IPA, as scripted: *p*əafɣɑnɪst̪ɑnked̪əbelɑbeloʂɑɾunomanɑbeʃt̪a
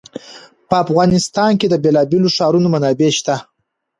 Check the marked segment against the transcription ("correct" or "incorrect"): correct